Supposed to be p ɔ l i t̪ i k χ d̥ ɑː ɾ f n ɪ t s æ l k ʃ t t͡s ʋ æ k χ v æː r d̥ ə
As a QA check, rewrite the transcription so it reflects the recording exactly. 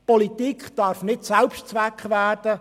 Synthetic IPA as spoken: p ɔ l i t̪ i k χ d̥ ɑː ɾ f n ɪ t s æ l p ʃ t t͡s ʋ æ k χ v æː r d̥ ə